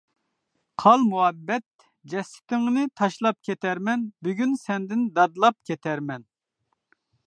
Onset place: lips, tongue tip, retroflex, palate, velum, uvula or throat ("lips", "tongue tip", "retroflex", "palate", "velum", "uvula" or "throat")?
uvula